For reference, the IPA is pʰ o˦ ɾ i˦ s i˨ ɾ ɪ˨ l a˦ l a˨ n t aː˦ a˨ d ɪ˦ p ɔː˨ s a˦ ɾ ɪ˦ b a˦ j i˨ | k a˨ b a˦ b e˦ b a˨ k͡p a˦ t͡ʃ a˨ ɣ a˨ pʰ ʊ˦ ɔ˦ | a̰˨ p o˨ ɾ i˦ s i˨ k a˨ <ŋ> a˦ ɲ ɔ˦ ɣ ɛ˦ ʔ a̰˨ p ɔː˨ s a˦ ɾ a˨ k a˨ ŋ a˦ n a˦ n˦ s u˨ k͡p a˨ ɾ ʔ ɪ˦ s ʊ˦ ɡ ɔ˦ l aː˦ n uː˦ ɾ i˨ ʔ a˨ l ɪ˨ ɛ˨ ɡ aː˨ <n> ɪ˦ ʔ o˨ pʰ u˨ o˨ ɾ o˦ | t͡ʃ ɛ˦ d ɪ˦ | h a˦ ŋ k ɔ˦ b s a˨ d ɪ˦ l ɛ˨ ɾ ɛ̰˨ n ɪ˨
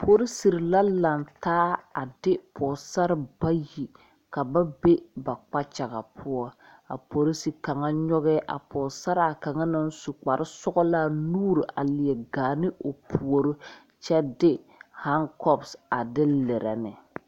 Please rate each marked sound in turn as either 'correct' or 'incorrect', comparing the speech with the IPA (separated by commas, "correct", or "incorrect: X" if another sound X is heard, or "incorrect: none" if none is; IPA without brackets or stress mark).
correct, correct